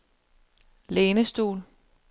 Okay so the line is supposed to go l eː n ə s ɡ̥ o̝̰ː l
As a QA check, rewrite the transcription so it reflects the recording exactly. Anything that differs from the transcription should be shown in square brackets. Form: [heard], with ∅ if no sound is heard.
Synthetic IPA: l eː n ə s [d̥] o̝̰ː l